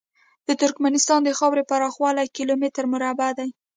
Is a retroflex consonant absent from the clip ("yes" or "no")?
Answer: yes